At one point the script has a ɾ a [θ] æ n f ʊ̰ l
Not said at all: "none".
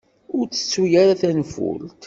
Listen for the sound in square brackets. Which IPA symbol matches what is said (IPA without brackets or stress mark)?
θ